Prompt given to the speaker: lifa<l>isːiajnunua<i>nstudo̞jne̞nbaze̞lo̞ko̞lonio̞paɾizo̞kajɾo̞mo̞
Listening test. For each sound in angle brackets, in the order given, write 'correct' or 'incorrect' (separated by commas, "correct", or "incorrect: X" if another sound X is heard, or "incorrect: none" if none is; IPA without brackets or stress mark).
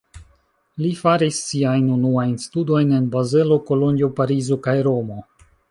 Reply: incorrect: ɾ, incorrect: j